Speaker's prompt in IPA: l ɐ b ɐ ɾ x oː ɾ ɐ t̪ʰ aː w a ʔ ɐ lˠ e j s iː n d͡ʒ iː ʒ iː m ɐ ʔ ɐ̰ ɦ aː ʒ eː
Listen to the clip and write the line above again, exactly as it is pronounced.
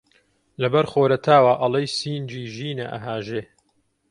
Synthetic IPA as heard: l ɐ b ɐ ɾ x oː ɾ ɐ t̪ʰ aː w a ʔ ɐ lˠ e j s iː n d͡ʒ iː ʒ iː n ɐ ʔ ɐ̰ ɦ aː ʒ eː